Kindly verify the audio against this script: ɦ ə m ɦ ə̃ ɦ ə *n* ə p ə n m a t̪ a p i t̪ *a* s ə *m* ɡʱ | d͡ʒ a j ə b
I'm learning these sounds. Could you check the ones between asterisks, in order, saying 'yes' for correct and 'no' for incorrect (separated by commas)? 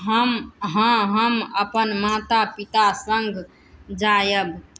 no, yes, no